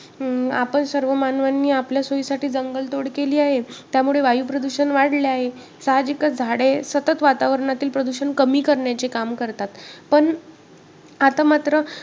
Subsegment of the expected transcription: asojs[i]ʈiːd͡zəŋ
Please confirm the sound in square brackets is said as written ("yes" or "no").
no